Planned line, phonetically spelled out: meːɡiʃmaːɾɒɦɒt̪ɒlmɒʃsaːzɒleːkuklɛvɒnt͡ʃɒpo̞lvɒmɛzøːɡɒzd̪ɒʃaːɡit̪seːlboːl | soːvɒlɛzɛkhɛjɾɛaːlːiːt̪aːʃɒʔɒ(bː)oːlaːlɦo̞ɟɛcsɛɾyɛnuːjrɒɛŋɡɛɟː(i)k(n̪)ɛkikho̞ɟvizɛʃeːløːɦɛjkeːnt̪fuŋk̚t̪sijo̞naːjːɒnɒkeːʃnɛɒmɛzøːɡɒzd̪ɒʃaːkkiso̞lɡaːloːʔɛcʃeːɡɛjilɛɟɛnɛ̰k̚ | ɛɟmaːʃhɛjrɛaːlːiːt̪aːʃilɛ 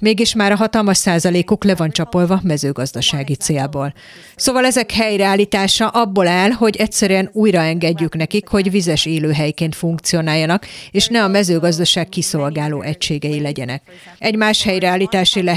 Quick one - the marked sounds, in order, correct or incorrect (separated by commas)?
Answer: correct, incorrect, correct